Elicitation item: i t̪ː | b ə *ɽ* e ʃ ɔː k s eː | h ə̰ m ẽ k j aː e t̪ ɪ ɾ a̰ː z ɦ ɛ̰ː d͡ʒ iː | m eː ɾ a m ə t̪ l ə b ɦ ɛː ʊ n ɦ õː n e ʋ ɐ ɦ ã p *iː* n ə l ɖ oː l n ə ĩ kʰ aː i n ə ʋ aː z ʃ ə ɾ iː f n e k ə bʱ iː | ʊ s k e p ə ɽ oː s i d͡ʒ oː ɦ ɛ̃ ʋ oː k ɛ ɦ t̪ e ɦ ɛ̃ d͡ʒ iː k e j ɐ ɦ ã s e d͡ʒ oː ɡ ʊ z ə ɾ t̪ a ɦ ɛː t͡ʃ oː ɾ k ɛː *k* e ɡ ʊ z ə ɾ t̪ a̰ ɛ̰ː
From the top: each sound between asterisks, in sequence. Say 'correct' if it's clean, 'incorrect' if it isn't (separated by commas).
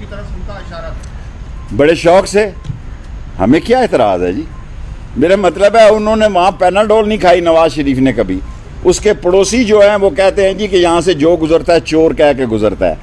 correct, incorrect, correct